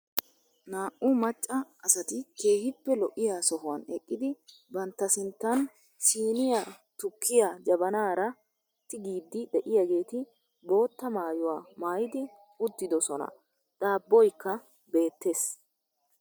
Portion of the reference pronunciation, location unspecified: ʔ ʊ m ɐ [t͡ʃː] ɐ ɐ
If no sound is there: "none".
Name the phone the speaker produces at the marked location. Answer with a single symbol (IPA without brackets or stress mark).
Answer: t͡ʃʼː